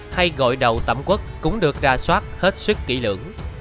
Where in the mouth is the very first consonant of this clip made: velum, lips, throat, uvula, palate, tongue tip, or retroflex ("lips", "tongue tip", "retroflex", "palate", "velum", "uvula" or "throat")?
throat